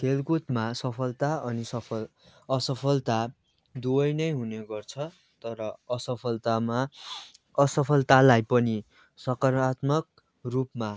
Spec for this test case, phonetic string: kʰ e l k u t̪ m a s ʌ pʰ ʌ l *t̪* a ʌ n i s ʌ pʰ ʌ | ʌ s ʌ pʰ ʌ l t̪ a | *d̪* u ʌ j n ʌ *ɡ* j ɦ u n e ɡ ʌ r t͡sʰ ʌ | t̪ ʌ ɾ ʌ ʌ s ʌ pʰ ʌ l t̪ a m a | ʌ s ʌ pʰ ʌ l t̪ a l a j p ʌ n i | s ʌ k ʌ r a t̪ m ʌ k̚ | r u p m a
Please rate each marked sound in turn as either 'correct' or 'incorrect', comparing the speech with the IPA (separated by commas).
correct, correct, incorrect